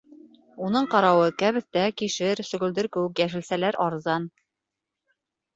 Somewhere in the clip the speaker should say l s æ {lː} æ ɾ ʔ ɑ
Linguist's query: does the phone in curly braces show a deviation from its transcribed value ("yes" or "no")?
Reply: yes